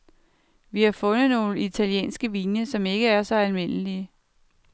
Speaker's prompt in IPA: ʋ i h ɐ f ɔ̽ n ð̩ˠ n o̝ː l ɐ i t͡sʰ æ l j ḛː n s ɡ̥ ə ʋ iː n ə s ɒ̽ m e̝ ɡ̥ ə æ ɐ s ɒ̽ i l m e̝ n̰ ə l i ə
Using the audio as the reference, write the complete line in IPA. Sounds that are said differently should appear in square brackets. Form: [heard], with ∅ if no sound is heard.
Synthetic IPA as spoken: ʋ i h [ɑ] f ɔ̽ n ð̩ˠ n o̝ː l [ə] i t͡sʰ æ l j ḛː n s ɡ̥ ə ʋ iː n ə s ɒ̽ m e̝ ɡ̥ ə æ ɐ s ɒ̽ [æ] l m e̝ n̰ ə l i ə